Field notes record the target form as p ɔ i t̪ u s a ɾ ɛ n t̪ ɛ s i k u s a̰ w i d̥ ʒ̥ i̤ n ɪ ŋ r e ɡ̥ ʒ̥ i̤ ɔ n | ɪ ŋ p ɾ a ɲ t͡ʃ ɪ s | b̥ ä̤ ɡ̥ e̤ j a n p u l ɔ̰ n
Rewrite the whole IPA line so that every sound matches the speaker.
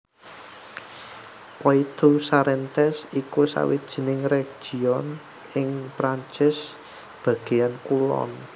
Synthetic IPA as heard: p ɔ i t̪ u s a ɾ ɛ n t̪ ɛ s i k u s a̰ w i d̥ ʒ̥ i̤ n ɪ ŋ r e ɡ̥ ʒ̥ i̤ ɔ n | ɪ ŋ p ɾ a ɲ t͡ʃ ɪ s | b̥ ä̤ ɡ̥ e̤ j a n k u l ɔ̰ n